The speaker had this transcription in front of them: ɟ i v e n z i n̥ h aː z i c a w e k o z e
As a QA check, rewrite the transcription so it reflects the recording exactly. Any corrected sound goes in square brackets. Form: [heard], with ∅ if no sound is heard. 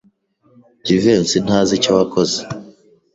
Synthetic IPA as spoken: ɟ i v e n [s] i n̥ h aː z i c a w [a] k o z e